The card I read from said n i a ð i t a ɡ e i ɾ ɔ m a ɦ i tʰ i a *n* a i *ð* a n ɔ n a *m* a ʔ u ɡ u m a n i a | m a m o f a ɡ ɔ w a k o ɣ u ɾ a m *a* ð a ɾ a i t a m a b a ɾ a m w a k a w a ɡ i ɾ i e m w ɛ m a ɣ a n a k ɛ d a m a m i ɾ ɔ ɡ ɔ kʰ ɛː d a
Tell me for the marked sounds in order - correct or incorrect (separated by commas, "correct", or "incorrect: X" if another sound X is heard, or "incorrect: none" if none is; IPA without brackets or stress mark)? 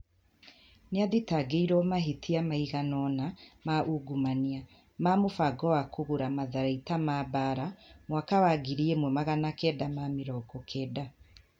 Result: incorrect: m, incorrect: ɣ, correct, correct